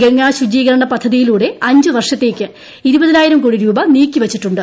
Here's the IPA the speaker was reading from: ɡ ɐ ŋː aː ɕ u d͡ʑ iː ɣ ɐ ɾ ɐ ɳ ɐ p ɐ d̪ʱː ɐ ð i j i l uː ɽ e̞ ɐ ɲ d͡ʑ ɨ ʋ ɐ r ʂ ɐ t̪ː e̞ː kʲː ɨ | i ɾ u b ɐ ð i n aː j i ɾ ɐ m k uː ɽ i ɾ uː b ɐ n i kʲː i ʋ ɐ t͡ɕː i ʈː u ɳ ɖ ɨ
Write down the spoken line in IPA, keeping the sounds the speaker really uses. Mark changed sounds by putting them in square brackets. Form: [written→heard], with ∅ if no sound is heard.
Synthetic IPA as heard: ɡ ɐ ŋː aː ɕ u d͡ʑ iː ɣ ɐ ɾ ɐ ɳ ɐ p ɐ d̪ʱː ɐ ð i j i l uː ɽ e̞ ɐ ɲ d͡ʑ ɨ ʋ ɐ r ʂ ɐ t̪ː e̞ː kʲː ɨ | i ɾ u b ɐ ð i n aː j i ɾ ɐ m k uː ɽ i ɾ uː b ɐ n [i→iː] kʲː i ʋ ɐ t͡ɕː i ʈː u ɳ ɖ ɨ